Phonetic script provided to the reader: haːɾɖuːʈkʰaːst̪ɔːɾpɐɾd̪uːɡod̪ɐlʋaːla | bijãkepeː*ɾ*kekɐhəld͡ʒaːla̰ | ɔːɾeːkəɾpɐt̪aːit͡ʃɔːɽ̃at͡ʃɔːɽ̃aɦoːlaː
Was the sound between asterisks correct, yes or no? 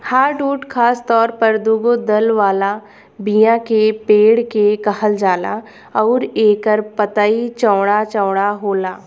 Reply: no